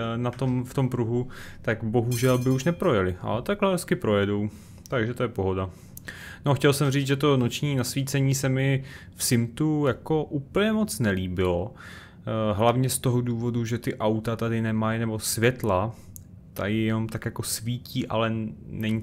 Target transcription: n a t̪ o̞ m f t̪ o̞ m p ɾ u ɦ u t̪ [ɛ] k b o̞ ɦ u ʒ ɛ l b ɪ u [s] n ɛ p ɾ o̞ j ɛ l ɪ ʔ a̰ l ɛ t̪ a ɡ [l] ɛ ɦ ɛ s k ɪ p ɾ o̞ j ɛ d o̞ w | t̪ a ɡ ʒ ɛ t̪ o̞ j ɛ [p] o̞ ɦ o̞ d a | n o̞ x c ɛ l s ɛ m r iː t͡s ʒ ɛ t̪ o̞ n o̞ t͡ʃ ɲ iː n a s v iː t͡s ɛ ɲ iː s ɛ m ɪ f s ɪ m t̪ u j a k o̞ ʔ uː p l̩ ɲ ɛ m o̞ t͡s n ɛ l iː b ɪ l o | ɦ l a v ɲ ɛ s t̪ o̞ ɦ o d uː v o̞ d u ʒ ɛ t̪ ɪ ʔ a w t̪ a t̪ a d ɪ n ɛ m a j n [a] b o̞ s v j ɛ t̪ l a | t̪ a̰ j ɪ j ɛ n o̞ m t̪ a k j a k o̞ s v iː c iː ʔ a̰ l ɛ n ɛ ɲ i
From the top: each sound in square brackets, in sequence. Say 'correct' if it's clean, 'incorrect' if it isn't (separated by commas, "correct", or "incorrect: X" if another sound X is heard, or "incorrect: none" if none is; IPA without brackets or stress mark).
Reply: incorrect: a, incorrect: ʃ, correct, correct, incorrect: ɛ